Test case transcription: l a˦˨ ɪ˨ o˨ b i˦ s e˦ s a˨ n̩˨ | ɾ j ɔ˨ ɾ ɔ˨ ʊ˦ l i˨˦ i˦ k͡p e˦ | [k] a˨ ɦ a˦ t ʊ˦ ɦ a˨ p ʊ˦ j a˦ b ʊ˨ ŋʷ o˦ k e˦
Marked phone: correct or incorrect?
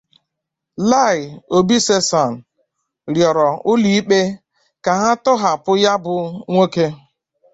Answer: correct